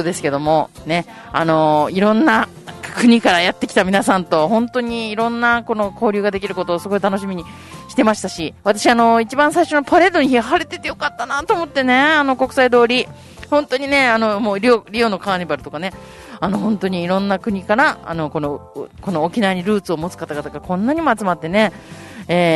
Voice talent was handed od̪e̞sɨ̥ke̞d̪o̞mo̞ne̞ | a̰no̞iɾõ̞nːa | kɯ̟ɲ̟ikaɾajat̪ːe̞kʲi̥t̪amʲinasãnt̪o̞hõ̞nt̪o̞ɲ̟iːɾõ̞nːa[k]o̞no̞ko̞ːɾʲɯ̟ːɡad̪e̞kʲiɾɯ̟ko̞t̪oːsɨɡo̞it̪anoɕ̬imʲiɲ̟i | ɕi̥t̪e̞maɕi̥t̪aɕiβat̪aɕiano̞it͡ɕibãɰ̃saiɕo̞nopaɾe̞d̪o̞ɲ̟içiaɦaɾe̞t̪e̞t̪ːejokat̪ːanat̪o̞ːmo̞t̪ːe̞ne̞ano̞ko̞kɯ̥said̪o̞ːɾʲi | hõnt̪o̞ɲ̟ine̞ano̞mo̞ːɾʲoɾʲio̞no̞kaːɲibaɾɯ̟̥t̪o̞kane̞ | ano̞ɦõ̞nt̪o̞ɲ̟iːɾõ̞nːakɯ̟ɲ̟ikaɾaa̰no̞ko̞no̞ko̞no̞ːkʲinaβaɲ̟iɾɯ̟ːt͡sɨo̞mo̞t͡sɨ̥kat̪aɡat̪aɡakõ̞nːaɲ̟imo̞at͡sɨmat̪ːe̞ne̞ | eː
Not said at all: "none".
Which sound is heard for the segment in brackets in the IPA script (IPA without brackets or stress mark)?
k